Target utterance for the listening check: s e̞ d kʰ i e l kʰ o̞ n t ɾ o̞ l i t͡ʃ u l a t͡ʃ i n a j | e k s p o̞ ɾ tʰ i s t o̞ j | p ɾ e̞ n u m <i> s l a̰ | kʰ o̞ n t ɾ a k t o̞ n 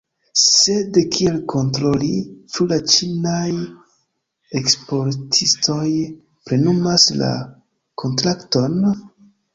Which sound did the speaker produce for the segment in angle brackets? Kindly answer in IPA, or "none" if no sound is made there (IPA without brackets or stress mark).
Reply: a